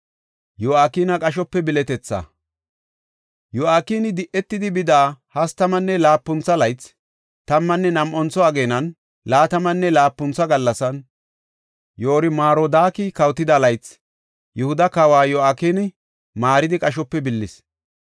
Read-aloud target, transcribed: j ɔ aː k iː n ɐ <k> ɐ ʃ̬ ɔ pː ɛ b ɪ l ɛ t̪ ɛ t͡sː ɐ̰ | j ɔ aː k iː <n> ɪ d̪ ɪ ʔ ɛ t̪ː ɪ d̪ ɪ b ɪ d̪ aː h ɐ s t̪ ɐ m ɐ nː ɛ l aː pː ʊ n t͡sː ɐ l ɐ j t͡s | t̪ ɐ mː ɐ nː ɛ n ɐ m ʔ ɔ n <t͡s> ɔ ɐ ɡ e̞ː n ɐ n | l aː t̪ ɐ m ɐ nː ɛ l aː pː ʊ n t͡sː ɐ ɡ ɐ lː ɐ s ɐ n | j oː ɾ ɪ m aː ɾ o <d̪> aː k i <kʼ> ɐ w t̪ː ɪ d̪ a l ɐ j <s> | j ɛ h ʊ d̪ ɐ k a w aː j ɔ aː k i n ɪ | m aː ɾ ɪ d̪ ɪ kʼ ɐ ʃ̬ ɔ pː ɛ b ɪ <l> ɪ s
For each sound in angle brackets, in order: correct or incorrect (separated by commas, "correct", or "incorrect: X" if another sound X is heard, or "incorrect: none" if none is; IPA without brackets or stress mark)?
incorrect: kʼ, correct, correct, correct, incorrect: k, incorrect: t͡s, incorrect: lː